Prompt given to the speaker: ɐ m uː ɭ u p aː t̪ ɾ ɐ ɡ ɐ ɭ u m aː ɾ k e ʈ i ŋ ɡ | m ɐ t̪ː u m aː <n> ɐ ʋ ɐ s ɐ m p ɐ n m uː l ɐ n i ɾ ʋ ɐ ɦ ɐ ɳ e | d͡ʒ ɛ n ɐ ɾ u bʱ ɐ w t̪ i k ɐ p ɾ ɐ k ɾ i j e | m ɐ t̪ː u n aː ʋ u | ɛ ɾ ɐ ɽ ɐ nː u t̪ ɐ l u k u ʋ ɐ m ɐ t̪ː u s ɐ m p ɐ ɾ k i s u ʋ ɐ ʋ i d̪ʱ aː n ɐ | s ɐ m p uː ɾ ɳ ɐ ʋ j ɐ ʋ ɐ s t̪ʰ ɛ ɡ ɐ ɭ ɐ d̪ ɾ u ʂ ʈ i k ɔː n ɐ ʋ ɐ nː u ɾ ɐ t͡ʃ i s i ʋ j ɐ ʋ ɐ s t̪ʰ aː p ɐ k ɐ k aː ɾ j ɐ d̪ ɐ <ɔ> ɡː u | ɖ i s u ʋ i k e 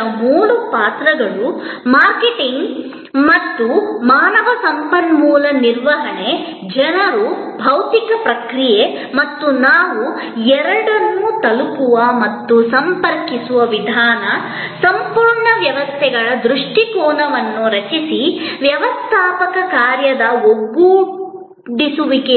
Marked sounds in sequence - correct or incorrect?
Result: correct, incorrect: o

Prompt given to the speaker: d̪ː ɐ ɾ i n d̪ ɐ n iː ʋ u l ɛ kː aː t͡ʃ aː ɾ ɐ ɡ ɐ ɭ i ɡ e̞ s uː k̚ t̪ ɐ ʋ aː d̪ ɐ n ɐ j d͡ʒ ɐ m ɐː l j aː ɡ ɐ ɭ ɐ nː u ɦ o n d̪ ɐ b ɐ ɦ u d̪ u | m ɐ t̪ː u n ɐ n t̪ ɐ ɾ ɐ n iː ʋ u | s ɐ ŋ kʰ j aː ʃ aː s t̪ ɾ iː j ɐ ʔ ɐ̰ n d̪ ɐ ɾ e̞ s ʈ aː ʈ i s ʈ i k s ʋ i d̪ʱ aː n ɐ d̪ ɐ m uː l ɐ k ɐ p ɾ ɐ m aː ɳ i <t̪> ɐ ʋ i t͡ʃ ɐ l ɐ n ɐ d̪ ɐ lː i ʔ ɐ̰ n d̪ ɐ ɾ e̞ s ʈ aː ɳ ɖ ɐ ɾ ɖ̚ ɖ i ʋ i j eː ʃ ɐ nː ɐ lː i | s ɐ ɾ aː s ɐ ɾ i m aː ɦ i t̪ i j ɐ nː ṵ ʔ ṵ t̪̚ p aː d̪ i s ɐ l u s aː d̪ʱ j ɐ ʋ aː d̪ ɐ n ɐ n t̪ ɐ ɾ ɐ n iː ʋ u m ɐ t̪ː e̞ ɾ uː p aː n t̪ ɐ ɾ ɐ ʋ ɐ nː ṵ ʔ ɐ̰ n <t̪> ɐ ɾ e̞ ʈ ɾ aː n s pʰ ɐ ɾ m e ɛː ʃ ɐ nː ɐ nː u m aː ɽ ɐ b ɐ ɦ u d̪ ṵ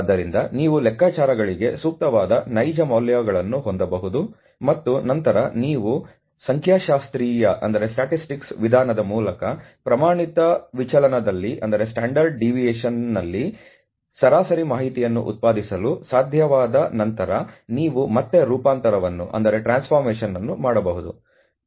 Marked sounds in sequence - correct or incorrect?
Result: correct, incorrect: d̪

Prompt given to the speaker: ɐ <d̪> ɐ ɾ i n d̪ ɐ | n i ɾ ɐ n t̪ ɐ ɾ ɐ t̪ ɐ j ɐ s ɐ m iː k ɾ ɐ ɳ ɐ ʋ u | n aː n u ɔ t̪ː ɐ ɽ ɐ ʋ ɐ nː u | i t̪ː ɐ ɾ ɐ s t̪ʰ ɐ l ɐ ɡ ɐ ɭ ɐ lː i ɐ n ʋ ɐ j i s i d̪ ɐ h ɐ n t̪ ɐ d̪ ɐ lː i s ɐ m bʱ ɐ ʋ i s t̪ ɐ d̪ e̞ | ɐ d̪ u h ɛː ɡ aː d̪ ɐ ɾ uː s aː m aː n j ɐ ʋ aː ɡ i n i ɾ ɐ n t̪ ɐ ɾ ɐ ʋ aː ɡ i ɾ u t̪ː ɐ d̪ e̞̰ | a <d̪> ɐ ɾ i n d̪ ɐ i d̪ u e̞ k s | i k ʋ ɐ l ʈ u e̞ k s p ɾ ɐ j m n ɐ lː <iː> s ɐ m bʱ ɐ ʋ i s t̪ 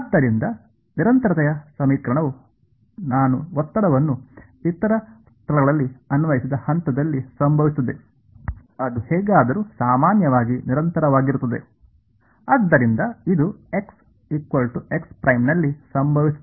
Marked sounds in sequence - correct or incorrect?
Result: incorrect: d̪ː, incorrect: d̪ː, incorrect: i

